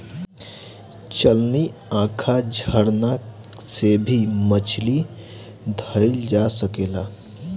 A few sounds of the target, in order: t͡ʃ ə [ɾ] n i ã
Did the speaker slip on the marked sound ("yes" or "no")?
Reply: yes